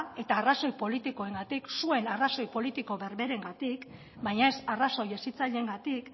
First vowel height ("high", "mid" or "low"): mid